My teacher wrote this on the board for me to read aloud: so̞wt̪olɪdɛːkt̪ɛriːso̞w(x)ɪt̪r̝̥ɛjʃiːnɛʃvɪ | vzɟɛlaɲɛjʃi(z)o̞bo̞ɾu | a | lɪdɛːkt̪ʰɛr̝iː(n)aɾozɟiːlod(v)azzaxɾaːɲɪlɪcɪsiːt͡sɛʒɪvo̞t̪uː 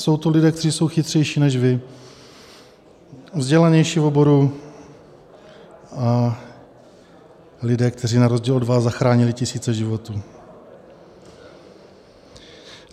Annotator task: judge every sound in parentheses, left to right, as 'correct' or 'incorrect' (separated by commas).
correct, incorrect, correct, correct